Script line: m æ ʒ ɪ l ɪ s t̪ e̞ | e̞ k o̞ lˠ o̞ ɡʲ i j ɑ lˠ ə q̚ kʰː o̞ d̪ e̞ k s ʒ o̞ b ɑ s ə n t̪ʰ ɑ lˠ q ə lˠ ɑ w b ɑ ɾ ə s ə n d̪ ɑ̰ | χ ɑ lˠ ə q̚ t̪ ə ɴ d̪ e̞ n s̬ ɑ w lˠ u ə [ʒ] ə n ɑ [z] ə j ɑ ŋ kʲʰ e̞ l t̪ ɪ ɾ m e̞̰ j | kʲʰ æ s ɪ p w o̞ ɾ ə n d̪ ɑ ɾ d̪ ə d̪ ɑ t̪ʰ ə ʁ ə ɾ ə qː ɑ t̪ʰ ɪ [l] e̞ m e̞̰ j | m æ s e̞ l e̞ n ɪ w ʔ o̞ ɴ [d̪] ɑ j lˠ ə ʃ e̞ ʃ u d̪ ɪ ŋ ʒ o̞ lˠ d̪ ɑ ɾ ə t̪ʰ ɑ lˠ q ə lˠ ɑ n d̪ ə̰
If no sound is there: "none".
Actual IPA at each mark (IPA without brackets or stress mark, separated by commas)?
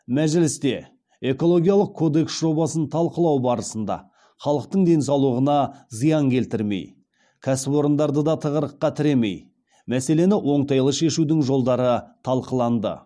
ʁ, z, ɾ, t̪